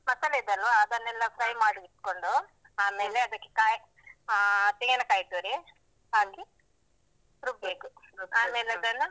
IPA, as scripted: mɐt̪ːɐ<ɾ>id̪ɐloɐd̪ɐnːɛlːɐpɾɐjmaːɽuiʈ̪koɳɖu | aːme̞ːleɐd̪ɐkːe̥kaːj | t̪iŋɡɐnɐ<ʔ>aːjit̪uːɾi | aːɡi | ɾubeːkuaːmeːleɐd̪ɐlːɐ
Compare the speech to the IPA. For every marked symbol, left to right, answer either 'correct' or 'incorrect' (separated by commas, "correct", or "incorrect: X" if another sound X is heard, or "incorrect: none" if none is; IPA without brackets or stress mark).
incorrect: l, incorrect: k